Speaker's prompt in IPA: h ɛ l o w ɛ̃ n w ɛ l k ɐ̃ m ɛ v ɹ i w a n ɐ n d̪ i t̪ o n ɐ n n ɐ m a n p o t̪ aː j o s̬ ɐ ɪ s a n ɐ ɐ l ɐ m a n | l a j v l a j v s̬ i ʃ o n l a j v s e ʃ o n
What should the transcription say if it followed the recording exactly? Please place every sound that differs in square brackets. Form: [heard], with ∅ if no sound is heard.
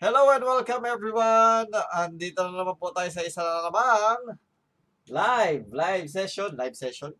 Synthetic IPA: h ɛ l o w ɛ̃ n w ɛ l k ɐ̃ m ɛ v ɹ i w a n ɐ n d̪ i t̪ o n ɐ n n ɐ m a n p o t̪ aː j o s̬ ɐ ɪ s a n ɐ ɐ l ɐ m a [ŋ] | l a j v l a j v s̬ [ɛ] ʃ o n l a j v s [ɛ] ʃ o n